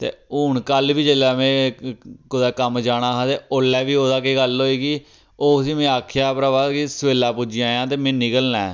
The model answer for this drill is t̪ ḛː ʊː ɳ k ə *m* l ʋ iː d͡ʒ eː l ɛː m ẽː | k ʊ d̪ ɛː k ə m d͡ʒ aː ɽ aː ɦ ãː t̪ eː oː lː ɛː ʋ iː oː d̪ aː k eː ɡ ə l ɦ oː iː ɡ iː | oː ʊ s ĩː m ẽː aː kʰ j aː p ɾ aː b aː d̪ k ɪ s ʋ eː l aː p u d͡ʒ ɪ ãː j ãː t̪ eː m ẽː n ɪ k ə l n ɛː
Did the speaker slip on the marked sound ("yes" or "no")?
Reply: yes